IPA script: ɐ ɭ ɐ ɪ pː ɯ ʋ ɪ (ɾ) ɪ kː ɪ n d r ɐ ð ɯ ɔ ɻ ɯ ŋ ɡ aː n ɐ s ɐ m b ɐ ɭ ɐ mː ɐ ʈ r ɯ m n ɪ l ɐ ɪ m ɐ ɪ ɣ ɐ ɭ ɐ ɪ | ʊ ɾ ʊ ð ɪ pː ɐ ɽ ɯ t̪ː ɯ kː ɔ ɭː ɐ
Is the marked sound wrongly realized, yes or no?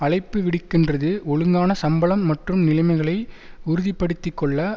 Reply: yes